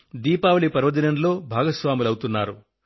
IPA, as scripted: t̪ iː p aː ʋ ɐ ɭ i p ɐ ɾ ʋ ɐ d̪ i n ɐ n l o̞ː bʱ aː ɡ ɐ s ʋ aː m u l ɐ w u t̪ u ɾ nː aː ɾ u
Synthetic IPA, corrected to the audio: d̪ iː p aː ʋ ɐ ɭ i p ɐ ɾ ʋ ɐ d̪ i n ɐ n l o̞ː bʱ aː ɡ ɐ s ʋ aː m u l ɐ w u t̪ u nː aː ɾ u